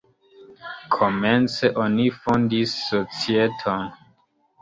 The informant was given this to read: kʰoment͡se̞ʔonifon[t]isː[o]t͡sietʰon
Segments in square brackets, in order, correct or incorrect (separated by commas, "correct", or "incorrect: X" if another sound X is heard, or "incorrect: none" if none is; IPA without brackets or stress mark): incorrect: d, correct